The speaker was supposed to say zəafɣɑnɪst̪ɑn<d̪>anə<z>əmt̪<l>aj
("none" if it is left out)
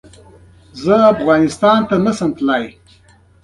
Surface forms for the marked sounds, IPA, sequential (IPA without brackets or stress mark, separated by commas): t̪, s, l